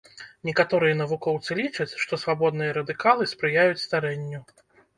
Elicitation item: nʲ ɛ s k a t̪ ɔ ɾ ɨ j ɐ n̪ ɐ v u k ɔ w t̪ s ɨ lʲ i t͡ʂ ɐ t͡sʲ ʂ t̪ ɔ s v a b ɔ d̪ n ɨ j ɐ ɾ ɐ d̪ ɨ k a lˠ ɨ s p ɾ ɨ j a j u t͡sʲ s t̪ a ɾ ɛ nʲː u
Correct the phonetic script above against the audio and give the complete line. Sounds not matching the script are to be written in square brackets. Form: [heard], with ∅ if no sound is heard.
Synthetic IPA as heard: nʲ ɛ [∅] k a t̪ ɔ ɾ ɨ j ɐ n̪ ɐ v u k ɔ w t̪ s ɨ lʲ i t͡ʂ ɐ t͡sʲ ʂ t̪ ɔ s v a b ɔ d̪ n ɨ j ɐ ɾ ɐ d̪ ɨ k a lˠ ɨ s p ɾ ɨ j a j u t͡sʲ s t̪ a ɾ ɛ nʲː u